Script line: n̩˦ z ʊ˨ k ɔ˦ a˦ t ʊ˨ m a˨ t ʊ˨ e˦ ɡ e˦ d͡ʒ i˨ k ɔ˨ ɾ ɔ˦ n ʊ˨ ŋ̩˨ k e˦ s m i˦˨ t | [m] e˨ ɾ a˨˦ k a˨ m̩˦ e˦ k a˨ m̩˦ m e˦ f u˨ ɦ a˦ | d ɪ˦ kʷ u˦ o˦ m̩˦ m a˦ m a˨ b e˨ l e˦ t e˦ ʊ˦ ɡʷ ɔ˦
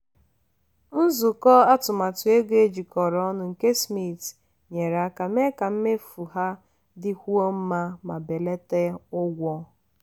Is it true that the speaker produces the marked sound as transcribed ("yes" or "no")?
no